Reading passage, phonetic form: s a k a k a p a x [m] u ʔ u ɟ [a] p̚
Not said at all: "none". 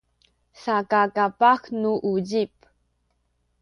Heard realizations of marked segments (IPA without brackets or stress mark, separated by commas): n, i